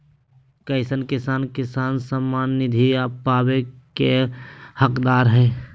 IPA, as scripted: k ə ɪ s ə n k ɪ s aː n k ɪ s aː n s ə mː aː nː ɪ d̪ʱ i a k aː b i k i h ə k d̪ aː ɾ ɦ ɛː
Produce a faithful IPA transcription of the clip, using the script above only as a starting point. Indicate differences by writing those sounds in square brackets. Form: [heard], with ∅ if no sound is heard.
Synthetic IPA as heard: k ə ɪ s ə n k ɪ s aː n k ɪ s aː n s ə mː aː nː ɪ d̪ʱ i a [p] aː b [e] k [e] h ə k d̪ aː ɾ ɦ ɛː